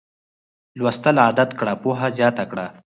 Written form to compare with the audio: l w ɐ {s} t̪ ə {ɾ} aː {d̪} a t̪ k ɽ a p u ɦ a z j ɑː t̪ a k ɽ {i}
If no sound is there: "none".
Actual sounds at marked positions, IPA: s, l, d̪, a

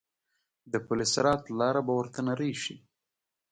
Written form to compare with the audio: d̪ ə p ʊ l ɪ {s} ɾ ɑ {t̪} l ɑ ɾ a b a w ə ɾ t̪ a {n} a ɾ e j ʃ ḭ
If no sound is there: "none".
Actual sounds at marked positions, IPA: s, t̪, n

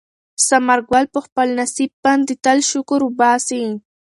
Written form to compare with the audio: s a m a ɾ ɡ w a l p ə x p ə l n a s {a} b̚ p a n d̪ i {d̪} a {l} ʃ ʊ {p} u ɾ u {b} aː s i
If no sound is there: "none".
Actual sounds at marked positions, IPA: i, t̪, l, k, b

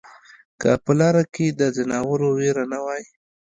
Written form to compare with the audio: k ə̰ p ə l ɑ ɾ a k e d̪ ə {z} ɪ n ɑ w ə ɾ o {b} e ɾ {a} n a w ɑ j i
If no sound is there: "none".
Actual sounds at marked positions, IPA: z, w, a

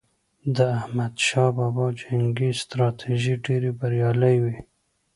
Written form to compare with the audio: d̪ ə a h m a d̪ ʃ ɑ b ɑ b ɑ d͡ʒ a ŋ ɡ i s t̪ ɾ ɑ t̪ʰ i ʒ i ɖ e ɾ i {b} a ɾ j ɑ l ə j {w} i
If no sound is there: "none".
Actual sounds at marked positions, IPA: b, w

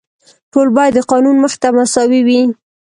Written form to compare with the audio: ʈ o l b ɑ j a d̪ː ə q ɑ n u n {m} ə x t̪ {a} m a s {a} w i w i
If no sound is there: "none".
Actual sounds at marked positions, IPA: m, a, ɑ

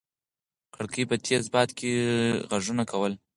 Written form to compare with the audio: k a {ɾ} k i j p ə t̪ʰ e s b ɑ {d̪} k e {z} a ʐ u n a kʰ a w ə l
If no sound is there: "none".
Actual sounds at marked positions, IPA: ɽ, t̪, ɣ

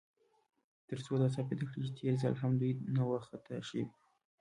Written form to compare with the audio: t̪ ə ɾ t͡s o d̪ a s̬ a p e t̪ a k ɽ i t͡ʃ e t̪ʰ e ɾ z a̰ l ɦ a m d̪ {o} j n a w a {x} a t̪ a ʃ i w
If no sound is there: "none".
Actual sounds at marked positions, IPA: u, x

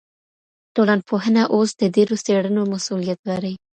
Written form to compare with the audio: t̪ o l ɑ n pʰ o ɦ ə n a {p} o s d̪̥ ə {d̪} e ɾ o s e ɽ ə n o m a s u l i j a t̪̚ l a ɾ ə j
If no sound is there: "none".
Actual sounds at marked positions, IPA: ʔ, d̪

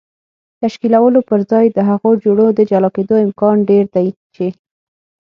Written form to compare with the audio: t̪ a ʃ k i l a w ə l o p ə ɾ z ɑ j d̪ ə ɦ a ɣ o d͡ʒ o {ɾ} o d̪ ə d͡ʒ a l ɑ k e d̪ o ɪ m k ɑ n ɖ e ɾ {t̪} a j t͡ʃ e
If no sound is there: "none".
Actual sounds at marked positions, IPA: ɽ, d̪

